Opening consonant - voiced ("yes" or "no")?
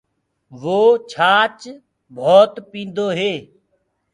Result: yes